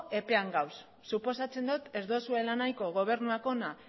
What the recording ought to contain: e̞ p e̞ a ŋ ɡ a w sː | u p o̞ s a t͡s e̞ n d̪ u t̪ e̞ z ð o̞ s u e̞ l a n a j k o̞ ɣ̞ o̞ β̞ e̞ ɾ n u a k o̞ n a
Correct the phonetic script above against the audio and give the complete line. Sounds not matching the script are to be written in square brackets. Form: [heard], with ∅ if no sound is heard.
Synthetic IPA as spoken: e̞ p e̞ a ŋ ɡ a w sː | u p o̞ s a t͡s e̞ n d̪ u t̪ e̞ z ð o̞ s u e̞ l a n a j k o̞ ɣ̞ o̞ β̞ e̞ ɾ n u a k o̞ n a